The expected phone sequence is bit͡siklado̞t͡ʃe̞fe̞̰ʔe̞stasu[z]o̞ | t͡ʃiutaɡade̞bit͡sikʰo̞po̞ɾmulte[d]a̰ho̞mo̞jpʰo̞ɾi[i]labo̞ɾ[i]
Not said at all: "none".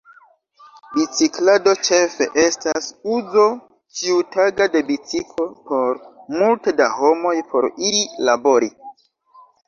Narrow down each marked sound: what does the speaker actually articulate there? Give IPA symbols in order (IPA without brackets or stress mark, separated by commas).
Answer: z, d, i, i